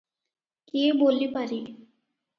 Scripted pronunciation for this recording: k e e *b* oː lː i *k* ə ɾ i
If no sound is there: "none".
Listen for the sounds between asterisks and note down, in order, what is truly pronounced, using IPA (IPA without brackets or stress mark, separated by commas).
b, p